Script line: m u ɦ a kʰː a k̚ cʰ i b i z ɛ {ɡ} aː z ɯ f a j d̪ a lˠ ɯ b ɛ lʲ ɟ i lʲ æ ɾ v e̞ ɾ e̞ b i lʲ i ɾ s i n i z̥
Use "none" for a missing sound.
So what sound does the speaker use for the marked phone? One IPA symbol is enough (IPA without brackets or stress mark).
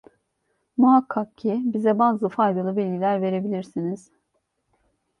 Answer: b